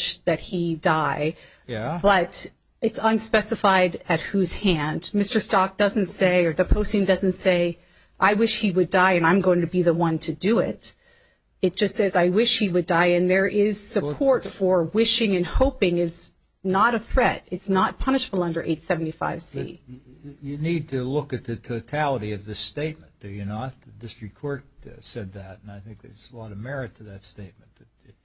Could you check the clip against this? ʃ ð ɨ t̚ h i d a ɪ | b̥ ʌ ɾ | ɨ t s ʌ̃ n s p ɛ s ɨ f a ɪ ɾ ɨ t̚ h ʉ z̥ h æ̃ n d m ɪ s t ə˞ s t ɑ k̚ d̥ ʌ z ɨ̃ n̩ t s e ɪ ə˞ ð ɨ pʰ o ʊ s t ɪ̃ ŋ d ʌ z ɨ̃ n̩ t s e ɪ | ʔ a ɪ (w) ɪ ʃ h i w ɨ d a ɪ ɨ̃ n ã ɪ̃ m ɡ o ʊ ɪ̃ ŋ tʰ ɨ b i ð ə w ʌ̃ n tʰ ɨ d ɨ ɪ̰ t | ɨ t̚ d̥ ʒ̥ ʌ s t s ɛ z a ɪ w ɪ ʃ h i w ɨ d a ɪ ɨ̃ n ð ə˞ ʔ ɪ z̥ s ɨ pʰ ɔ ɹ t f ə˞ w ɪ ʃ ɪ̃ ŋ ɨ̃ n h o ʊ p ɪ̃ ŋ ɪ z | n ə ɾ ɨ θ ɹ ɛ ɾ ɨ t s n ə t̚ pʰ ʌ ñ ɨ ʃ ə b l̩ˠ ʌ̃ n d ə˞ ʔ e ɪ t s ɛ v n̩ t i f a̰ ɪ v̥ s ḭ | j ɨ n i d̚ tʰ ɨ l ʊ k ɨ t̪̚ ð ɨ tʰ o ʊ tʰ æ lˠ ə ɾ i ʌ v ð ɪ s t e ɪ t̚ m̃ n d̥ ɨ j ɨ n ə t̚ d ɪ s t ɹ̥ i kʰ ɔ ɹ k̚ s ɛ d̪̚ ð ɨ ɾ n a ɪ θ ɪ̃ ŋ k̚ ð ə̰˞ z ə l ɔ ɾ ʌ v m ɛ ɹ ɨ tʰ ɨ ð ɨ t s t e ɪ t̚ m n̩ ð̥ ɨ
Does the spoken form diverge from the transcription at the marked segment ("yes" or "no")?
no